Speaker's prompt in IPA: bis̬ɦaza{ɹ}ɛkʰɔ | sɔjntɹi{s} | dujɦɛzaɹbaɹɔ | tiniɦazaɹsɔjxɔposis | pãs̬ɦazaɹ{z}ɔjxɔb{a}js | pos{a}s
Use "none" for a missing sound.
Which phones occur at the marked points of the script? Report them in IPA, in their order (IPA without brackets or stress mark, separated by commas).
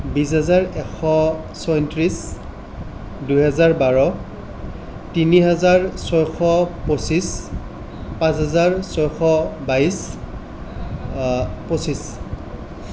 ɹ, s, s, a, i